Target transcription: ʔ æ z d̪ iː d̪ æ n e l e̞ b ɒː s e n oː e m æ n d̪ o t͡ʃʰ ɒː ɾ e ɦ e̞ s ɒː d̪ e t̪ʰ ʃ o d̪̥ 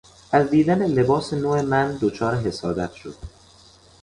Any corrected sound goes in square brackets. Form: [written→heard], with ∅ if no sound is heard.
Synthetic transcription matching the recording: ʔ æ z d̪ iː d̪ æ n e l e̞ b ɒː s e n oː e m æ n d̪ o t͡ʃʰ ɒː ɾ e ɦ e̞ s ɒː d̪ [e→æ] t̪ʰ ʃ o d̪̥